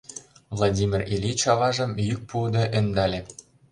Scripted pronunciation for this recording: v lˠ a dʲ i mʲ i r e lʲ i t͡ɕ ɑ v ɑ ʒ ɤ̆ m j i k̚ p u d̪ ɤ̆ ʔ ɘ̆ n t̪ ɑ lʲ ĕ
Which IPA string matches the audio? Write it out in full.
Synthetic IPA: v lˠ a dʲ i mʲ i r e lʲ i t͡ɕ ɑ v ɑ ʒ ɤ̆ m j y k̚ p u d̪ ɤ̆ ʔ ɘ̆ n d̪ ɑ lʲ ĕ